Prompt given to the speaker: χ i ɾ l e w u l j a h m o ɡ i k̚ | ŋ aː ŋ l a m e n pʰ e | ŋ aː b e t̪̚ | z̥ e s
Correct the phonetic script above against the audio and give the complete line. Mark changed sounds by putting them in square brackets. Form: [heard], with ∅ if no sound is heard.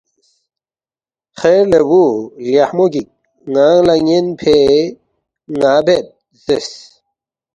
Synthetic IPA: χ [e] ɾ l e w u l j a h m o ɡ i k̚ | ŋ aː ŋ l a [ŋ] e n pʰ e | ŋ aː b e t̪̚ | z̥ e s